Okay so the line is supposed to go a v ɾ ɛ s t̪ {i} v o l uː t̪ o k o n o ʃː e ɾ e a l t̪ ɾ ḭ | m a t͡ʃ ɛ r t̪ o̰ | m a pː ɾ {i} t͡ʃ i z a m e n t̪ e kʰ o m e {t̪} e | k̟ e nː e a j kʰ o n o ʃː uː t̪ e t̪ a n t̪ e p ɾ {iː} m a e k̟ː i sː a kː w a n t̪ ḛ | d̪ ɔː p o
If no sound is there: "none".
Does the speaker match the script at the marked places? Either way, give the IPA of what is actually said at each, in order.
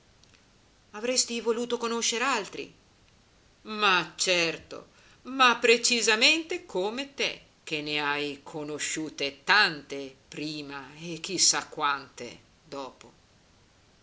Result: i, e, t̪, iː

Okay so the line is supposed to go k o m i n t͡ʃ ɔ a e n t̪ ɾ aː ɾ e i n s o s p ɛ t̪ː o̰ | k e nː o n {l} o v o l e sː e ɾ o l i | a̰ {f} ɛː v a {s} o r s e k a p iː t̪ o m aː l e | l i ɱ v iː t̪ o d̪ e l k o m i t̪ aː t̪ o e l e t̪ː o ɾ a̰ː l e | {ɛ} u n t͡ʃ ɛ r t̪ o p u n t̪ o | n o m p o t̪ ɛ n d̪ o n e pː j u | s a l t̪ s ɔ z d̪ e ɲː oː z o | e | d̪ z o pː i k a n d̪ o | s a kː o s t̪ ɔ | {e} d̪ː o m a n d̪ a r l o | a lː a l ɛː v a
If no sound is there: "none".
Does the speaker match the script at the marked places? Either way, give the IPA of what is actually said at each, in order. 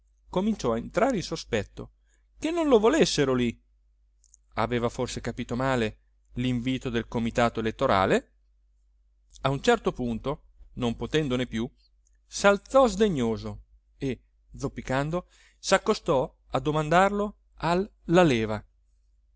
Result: l, v, f, a, a

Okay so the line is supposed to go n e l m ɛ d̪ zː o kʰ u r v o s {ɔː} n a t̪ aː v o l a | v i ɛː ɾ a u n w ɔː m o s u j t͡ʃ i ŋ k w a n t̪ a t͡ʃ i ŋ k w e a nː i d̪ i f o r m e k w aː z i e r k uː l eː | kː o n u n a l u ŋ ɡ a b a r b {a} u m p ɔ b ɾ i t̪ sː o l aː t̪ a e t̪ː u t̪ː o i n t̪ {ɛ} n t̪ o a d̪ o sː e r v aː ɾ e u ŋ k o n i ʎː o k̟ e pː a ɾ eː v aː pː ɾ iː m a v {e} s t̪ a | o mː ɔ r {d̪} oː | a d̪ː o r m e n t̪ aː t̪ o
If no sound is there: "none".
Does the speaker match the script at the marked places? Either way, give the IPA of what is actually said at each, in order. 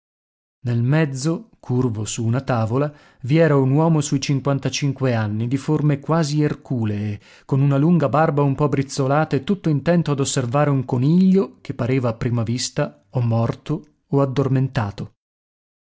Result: uː, a, ɛ, i, t̪

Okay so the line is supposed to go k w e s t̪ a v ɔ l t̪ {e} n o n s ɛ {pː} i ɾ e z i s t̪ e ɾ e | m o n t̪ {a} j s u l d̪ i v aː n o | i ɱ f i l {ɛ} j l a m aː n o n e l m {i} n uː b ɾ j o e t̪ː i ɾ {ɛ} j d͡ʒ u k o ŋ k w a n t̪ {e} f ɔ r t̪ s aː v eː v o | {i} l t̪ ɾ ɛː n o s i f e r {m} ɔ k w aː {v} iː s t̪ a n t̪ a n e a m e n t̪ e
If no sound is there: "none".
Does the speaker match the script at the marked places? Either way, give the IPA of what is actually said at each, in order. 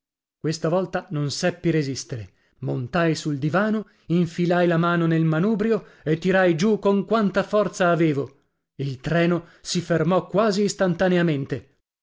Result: a, pː, a, a, a, a, a, i, m, z

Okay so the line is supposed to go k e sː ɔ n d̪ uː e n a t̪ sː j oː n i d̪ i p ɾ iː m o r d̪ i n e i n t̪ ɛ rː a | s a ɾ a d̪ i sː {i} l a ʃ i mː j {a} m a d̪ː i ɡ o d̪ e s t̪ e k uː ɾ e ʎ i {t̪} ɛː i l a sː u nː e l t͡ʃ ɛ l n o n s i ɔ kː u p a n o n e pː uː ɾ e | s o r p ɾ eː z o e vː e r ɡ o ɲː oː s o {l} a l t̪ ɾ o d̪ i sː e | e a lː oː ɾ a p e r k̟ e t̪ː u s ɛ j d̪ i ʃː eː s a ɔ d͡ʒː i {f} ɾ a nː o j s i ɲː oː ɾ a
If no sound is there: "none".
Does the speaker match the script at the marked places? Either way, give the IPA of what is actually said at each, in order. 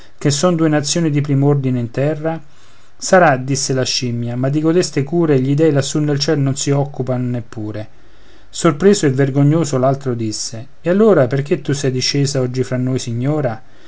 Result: e, a, d̪, l, f

